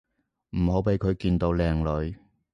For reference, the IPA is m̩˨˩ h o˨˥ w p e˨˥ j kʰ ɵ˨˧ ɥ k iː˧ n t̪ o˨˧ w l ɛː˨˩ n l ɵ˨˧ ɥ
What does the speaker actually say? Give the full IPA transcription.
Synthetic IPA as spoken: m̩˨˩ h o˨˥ w p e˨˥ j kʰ ɵ˨˧ ɥ k iː˧ n t̪ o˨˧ w l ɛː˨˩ ŋ l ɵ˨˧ ɥ